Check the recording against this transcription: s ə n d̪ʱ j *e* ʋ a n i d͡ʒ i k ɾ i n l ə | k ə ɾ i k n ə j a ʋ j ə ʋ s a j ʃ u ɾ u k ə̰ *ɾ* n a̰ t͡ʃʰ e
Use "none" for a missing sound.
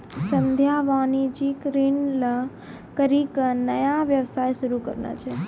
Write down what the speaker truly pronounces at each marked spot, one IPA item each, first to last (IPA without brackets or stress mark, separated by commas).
a, ɾ